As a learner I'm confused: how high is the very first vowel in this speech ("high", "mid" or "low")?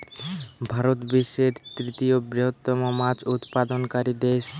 low